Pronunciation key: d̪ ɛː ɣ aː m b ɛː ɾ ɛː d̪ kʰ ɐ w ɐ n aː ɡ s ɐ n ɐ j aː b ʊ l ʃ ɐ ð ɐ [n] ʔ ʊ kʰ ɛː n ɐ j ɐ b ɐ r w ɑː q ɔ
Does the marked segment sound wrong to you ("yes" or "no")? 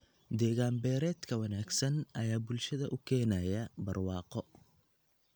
yes